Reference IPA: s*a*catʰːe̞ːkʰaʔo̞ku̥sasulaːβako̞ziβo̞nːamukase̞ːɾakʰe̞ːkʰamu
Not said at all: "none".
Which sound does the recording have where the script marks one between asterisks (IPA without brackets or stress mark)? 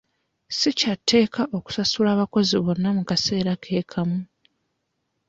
i